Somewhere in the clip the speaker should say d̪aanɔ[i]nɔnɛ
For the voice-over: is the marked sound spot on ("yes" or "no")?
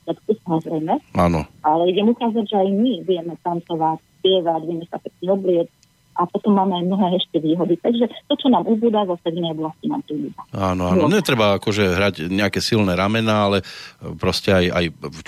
no